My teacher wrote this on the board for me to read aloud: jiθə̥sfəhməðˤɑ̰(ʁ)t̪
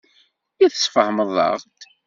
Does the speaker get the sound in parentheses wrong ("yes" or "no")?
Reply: no